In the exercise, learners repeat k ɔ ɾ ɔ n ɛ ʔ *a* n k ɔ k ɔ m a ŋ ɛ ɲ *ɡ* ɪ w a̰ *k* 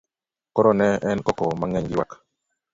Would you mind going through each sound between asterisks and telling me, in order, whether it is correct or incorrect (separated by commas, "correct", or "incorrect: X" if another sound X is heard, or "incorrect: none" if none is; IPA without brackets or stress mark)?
incorrect: ɛ, correct, correct